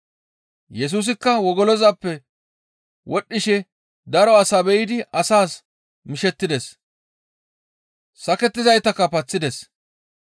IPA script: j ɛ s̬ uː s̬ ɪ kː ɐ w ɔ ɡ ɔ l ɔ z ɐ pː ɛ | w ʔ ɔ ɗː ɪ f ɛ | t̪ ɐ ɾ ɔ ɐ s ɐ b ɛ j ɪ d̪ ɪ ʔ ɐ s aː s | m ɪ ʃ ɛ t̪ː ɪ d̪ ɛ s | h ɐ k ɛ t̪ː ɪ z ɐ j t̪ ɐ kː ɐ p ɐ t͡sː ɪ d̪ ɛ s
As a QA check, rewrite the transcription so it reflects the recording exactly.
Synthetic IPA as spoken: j ɛ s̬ uː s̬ ɪ kː ɐ w ɔ ɡ ɔ l ɔ z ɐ pː ɛ | w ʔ ɔ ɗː ɪ ʃ ɛ | d̪ ɐ ɾ ɔ ɐ s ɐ b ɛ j ɪ d̪ ɪ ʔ ɐ s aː s | m ɪ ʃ ɛ t̪ː ɪ d̪ ɛ s | s ɐ k ɛ t̪ː ɪ z ɐ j t̪ ɐ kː ɐ p ɐ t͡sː ɪ d̪ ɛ s

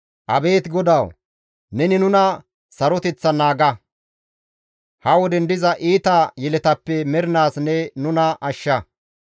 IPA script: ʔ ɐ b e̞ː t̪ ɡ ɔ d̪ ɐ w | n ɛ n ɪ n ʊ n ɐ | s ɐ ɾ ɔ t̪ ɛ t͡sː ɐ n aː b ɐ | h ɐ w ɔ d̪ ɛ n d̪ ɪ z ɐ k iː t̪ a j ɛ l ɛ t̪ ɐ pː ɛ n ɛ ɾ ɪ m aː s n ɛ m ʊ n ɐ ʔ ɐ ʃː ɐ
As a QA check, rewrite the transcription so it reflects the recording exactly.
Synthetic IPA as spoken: ʔ ɐ b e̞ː t̪ ɡ ɔ d̪ ɐ w | n ɛ n ɪ n ʊ n ɐ | s ɐ ɾ ɔ t̪ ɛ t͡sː ɐ n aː ɡ ɐ | h ɐ w ɔ d̪ ɛ n d̪ ɪ z ɐ ʔ iː t̪ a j ɛ l ɛ t̪ ɐ pː ɛ m ɛ ɾ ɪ n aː s n ɛ n ʊ n ɐ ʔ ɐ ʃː ɐ

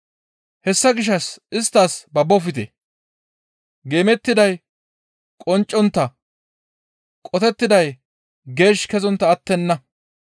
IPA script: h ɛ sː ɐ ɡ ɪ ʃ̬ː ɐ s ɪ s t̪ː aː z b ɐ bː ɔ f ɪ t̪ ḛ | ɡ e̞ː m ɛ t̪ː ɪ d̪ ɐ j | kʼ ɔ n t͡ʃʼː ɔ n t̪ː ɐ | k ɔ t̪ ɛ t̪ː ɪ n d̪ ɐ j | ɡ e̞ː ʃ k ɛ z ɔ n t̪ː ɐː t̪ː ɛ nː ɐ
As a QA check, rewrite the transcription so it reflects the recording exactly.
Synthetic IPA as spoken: h ɛ sː ɐ ɡ ɪ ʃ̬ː ɐ s ɪ s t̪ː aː s b ɐ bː ɔ f ɪ t̪ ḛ | ɡ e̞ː m ɛ t̪ː ɪ d̪ ɐ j | kʼ ɔ n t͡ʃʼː ɔ n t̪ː ɐ | kʼ ɔ t̪ ɛ t̪ː ɪ d̪ ɐ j | ɡ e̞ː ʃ k ɛ z ɔ n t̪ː ɐː t̪ː ɛ nː ɐ

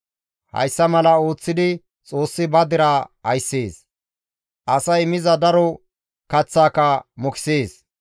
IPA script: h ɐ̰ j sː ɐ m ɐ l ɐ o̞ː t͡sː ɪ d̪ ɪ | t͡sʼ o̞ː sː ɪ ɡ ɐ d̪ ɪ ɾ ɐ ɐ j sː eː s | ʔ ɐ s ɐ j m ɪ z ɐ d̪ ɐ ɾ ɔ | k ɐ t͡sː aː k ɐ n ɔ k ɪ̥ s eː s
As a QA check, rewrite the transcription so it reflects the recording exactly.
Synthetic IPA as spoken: h ɐ̰ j sː ɐ m ɐ l ɐ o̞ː t͡sː ɪ d̪ ɪ | t͡sʼ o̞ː sː ɪ b ɐ d̪ ɪ ɾ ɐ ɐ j sː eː s | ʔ ɐ s ɐ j m ɪ z ɐ d̪ ɐ ɾ ɔ | k ɐ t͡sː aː k ɐ m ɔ k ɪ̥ s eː s

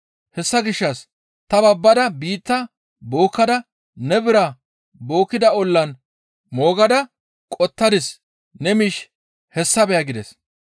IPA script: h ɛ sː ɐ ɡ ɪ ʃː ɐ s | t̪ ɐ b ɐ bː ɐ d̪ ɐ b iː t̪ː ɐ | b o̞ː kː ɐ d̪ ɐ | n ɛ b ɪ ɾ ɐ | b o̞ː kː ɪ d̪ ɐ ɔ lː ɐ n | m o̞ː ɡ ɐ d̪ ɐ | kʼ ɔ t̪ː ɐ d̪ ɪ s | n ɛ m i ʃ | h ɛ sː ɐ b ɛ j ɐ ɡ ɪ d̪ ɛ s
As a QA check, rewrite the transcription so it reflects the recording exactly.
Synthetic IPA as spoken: h ɛ sː ɐ ɡ ɪ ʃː ɐ s | t̪ ɐ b ɐ bː ɐ d̪ ɐ b iː t̪ː ɐ | b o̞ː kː ɐ d̪ ɐ | n ɛ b ɪ ɾ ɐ | b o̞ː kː ɪ d̪ ɐ ɔ lː ɐ n | m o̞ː ɡ ɐ d̪ ɐ | kʼ ɔ t̪ː ɐ d̪ ɪ s | n ɛ m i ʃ | h ɛ sː ɐ b ɛ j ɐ ɡ ɪ d̪ ɛ s

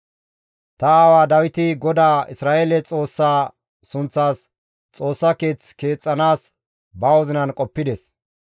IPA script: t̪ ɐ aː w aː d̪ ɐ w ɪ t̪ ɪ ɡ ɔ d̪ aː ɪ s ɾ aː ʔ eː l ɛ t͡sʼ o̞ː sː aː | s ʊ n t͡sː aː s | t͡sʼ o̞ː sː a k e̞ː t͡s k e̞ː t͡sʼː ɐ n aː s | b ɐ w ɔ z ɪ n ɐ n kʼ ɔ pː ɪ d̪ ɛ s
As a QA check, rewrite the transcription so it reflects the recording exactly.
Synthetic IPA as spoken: t̪ ɐ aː w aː d̪ ɐ w ɪ t̪ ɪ ɡ ɔ d̪ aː ɪ s ɾ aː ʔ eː l ɛ t͡sʼ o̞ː sː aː | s ʊ n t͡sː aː s | t͡sʼ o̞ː sː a k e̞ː t͡s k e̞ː t͡sʼː ɐ n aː s | b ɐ w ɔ z ɪ n ɐ n kʼ ɔ pː ɪ d̪ ɛ s

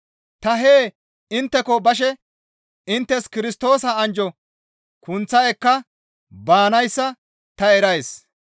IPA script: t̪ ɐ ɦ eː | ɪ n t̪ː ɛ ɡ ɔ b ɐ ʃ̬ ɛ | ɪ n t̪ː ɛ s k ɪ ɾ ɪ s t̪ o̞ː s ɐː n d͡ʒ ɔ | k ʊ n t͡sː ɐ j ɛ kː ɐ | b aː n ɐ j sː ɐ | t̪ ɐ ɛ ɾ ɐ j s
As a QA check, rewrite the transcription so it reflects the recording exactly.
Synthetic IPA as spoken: t̪ ɐ ɦ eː | ɪ n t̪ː ɛ k ɔ b ɐ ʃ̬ ɛ | ɪ n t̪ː ɛ s k ɪ ɾ ɪ s t̪ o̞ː s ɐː n d͡ʒ ɔ | k ʊ n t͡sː ɐ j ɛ kː ɐ | b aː n ɐ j sː ɐ | t̪ ɐ ɛ ɾ ɐ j s

